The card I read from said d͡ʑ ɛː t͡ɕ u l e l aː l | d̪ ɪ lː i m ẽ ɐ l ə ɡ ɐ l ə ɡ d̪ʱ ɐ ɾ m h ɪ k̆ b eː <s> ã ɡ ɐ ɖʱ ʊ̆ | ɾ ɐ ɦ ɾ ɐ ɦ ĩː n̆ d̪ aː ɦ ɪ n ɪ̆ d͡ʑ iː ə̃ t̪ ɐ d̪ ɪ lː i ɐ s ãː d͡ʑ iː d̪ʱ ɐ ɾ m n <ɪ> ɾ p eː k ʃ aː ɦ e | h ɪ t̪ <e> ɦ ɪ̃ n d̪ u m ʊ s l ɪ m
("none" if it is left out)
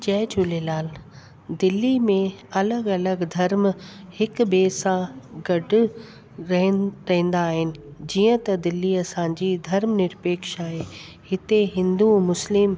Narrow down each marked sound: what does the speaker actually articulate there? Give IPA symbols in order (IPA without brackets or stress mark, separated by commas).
s, ɪ, e